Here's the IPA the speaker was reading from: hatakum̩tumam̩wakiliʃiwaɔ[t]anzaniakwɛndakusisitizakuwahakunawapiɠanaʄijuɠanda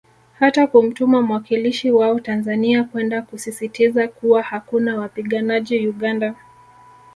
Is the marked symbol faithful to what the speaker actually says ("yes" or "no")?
yes